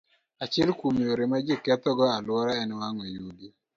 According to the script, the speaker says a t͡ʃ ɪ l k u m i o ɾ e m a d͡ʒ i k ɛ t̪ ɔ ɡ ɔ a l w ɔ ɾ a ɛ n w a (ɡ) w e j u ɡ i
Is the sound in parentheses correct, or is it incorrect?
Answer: incorrect: ŋ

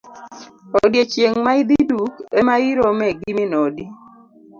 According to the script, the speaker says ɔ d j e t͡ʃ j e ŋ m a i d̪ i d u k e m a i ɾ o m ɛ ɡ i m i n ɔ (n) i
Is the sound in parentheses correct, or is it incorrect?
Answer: incorrect: d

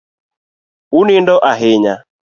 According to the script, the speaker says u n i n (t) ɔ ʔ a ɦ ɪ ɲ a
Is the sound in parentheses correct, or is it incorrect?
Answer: incorrect: d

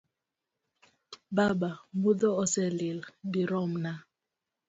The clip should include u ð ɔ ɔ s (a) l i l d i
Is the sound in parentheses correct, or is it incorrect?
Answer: incorrect: ɛ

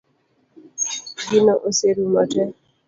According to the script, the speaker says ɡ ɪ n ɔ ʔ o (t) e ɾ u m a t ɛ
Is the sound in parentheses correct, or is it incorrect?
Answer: incorrect: s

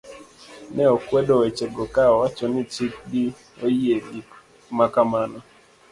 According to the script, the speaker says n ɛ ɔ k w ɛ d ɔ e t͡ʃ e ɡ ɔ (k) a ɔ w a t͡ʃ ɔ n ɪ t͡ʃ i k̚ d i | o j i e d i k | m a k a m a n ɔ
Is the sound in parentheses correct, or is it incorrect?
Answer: correct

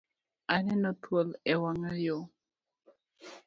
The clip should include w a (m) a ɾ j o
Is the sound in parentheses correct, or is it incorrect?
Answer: incorrect: ŋ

